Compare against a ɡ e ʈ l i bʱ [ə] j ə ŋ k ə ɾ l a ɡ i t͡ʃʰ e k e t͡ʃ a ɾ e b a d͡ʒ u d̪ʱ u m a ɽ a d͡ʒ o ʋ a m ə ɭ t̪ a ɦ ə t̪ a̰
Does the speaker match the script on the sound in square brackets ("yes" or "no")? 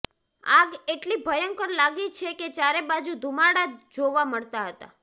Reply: yes